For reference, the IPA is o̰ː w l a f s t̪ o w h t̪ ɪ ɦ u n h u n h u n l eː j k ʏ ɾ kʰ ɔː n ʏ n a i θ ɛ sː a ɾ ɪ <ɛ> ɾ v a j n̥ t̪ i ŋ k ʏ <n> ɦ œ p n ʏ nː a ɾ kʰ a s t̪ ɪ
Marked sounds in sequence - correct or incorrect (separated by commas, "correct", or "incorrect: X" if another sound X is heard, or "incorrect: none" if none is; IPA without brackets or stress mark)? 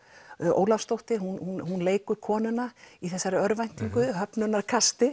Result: incorrect: œ, incorrect: none